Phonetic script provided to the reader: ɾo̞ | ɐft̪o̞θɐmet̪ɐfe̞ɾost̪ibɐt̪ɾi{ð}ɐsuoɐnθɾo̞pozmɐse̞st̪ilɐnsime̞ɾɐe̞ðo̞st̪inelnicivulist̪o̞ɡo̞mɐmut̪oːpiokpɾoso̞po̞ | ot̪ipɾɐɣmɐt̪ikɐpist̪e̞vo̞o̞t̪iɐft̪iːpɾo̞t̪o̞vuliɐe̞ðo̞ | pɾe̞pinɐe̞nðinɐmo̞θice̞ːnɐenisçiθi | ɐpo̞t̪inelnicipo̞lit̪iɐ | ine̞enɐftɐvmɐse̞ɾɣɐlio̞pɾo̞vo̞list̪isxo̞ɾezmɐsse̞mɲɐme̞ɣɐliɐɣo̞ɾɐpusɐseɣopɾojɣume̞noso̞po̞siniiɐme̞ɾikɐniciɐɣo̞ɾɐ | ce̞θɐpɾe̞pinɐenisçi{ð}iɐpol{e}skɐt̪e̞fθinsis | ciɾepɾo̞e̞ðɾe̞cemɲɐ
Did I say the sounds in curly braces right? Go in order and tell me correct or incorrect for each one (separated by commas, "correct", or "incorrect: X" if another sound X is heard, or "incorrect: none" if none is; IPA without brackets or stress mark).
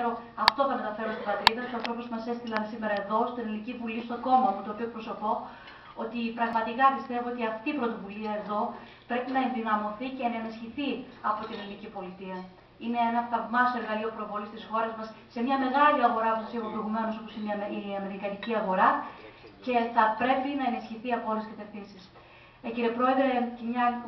correct, incorrect: θ, correct